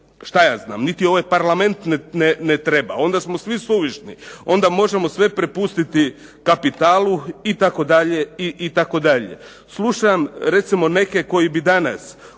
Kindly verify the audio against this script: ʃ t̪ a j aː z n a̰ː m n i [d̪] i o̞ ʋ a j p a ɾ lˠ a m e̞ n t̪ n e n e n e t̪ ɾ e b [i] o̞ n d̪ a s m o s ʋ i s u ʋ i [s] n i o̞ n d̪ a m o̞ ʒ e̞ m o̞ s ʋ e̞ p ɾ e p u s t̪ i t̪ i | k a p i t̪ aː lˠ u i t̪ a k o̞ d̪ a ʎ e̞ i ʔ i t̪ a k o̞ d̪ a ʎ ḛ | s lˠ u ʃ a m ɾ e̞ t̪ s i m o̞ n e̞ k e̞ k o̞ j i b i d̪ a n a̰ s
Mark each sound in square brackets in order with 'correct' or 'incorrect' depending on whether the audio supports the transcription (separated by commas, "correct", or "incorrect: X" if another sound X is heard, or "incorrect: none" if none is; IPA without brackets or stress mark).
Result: incorrect: t̪, incorrect: a, incorrect: ʃ